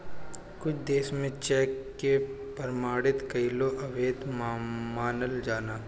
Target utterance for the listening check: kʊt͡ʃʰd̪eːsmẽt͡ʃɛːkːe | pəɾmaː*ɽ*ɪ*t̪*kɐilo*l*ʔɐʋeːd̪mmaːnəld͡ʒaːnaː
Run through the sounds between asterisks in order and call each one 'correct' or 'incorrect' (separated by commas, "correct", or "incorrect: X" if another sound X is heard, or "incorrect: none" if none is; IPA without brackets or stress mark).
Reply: correct, correct, incorrect: none